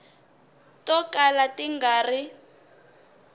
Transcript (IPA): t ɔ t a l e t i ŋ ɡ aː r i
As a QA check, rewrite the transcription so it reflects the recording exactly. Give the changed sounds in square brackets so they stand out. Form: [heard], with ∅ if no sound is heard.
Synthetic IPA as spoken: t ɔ [k] a l [a] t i ŋ ɡ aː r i